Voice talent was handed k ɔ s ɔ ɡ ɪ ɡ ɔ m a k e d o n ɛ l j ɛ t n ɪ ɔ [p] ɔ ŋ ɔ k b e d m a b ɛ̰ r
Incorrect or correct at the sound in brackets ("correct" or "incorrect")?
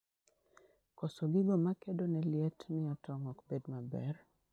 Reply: incorrect